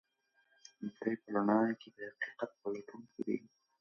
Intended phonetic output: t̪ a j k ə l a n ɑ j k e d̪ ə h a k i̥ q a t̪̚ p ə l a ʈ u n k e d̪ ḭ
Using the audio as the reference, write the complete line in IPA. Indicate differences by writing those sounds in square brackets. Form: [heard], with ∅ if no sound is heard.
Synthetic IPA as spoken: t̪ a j [p] ə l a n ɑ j k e d̪ ə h a [q] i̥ q a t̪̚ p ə l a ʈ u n k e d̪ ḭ

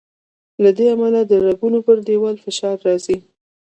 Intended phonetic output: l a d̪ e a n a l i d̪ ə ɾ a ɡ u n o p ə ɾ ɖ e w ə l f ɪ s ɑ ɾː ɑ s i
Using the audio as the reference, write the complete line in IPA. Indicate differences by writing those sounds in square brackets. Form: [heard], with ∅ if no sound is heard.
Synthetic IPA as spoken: l a d̪ e a [m] a l [a] d̪ ə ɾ a ɡ u n o p ə ɾ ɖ e w [ɑ] l f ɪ [ʃ] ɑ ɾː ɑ [z] i

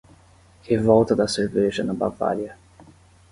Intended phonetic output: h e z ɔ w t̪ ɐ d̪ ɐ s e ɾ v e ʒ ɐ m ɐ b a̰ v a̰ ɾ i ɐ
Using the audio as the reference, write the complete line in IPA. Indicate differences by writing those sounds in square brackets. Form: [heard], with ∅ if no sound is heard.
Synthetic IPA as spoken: h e [v] ɔ w t̪ ɐ d̪ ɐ s e ɾ v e ʒ ɐ [n] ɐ b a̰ v a̰ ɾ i ɐ

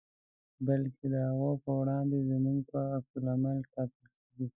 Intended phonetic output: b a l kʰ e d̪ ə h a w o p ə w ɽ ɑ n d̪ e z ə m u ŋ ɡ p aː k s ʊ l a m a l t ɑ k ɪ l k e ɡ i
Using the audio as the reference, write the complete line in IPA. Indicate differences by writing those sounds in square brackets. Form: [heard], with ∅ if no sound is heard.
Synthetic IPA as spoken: b a l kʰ e d̪ ə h a [ɣ] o p ə w ɽ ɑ n d̪ e z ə m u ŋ ɡ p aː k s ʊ l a m a l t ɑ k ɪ l k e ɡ i

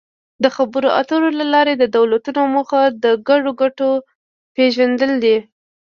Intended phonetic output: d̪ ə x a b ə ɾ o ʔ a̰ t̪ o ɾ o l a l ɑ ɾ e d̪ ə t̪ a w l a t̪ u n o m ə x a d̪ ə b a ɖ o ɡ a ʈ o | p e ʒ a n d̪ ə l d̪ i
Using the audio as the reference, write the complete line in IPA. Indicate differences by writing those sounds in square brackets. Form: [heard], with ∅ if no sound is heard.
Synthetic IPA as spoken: d̪ ə x a b ə ɾ o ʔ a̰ t̪ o ɾ o l a l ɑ ɾ e d̪ ə [d̪] a w l a t̪ u n o m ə x a d̪ ə [ɡ] a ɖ o ɡ a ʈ o | p e ʒ a n d̪ ə l d̪ i

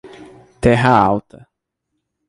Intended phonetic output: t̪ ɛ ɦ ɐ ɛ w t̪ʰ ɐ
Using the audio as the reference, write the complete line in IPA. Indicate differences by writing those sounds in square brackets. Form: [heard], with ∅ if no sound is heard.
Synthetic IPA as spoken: t̪ ɛ ɦ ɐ [a] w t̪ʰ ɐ

